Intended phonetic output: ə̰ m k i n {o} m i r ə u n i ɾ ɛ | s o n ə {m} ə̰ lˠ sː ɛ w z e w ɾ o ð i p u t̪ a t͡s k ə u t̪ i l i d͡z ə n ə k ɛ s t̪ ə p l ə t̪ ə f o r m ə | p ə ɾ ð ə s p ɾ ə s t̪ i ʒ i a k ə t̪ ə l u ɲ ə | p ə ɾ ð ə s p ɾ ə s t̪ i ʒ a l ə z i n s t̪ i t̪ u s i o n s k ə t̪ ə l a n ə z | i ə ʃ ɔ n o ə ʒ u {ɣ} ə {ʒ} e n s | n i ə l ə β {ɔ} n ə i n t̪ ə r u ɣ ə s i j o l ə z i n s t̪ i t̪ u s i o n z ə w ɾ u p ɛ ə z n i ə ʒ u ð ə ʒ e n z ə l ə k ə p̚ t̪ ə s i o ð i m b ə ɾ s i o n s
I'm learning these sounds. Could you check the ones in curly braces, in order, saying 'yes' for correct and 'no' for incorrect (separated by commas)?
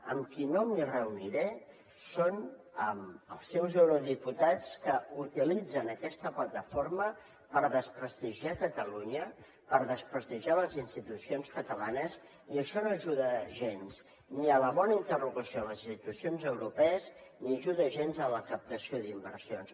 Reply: yes, yes, no, yes, yes